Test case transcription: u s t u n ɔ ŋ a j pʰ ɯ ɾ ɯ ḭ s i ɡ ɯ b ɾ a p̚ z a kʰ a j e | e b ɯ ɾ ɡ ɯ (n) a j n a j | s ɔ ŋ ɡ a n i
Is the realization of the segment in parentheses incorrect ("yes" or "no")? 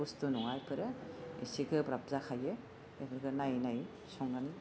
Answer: no